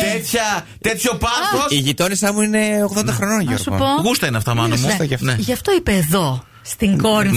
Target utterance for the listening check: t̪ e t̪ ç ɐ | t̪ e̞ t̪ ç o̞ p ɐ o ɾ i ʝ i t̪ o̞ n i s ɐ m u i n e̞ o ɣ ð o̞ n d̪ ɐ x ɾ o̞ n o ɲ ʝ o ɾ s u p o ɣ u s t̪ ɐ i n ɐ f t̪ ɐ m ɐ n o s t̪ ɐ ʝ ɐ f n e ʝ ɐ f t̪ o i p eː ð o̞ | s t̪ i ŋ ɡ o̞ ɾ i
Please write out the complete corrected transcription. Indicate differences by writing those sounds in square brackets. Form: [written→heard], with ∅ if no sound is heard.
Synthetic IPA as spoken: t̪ e t̪ ç ɐ | t̪ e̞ t̪ ç o̞ p ɐ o [ɾ→∅] i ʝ i t̪ o̞ n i s ɐ m u i n e̞ o ɣ ð o̞ n d̪ ɐ x ɾ o̞ n o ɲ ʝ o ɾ s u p o ɣ u s t̪ ɐ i n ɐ f t̪ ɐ m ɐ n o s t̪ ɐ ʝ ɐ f n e ʝ ɐ f t̪ o i p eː ð o̞ | s t̪ i ŋ ɡ o̞ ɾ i